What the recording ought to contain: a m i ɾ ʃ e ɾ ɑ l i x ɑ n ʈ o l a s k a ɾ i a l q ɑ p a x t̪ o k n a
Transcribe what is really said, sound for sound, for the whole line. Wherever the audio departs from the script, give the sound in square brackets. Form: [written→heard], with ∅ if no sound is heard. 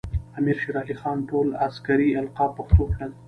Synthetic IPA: a m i ɾ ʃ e ɾ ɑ l i x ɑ n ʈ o l a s k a ɾ i a l q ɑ p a x t̪ o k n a